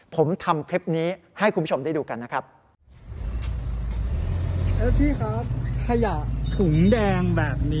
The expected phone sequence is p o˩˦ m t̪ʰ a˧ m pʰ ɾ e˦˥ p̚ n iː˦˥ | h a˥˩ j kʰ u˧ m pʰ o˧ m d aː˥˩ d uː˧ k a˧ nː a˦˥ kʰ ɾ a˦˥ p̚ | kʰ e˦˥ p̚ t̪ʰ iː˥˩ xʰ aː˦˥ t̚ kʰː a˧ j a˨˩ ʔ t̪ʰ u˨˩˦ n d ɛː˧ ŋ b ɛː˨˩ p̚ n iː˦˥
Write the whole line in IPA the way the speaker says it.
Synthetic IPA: pʰ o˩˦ m t̪ʰ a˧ m kʰ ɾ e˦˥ p̚ n iː˦˥ | h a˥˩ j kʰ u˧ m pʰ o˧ m d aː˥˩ d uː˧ k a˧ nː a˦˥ kʰ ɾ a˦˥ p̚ | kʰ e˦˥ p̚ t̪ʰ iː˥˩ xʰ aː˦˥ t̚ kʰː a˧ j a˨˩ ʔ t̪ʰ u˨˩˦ ŋ d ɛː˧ ŋ b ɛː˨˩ p̚ n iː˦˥